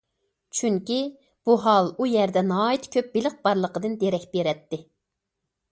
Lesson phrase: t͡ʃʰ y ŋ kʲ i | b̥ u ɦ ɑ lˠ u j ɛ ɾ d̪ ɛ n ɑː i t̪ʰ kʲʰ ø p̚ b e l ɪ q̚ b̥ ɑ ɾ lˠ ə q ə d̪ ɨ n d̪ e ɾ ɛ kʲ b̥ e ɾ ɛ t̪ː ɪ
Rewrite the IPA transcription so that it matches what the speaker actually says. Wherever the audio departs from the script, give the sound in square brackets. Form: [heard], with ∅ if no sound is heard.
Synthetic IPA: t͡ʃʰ y ŋ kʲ i | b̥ u ɦ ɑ lˠ u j ɛ ɾ d̪ ɛ n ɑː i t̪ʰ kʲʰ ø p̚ b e l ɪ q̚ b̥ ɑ ɾ lˠ ə q ə d̪ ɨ n d̪ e ɾ ɛ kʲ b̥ e ɾ ɛ t̪ː ɪ